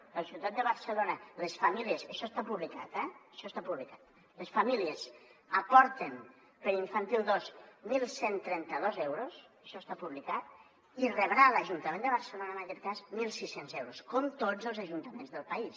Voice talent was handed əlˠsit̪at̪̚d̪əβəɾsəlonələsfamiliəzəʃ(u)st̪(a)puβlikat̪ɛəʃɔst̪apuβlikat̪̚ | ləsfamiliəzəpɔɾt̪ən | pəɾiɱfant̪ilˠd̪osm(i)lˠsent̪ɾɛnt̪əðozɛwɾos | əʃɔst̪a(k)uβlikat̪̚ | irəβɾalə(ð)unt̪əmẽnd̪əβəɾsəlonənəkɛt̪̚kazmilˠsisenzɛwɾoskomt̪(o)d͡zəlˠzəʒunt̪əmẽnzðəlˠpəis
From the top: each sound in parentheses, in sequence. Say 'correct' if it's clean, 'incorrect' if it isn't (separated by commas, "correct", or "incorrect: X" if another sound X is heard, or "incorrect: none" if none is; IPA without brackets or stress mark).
incorrect: ɔ, correct, correct, incorrect: p, incorrect: ʒ, correct